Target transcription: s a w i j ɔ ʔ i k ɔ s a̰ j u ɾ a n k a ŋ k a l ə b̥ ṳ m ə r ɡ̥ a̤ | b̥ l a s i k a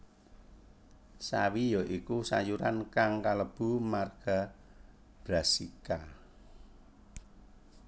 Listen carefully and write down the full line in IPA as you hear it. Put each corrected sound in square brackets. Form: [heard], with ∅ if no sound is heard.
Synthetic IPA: s a w i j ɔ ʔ i k [u] s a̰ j u ɾ a n k a ŋ k a l ə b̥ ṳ m [a] r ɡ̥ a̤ | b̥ [ɾ] a s i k a

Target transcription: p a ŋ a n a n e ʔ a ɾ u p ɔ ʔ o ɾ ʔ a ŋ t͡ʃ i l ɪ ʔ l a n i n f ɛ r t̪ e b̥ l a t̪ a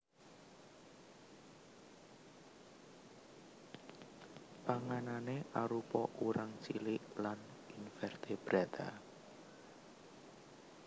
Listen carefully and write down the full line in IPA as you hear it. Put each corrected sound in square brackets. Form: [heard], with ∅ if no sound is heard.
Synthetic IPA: p a ŋ a n a n e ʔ a ɾ u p ɔ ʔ [u] ɾ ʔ a ŋ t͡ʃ i l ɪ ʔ l a n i n f ɛ r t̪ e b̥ [ɾ] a t̪ a

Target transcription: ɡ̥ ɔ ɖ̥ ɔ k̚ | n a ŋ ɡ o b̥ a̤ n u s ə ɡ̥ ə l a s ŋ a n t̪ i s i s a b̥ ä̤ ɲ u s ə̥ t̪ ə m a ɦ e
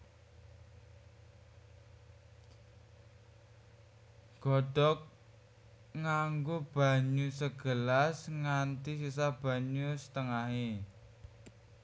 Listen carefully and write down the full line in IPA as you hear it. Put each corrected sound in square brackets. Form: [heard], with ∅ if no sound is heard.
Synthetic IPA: ɡ̥ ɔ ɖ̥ ɔ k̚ | [ŋ] a ŋ ɡ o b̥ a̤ [ɲ] u s ə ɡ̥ ə l a s ŋ a n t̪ i s i s a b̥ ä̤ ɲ u s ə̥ t̪ ə [ŋ] a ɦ e

